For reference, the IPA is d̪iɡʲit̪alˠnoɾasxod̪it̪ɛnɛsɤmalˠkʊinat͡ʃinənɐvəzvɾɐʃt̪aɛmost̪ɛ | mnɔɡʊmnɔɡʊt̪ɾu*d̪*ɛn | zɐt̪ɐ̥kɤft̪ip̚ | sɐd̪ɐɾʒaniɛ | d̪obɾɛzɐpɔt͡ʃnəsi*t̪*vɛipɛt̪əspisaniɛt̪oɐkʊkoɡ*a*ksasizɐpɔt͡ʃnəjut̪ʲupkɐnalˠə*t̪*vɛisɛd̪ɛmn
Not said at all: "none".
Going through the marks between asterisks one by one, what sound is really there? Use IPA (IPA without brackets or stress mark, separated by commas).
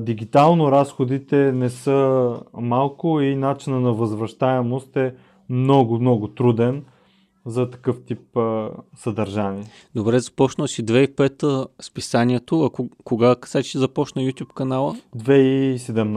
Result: d̪, d̪, a, d̪